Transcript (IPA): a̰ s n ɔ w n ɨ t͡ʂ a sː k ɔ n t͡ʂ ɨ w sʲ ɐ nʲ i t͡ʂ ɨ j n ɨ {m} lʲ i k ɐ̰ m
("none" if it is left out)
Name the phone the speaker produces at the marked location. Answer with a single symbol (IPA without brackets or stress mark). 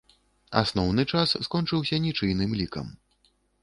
m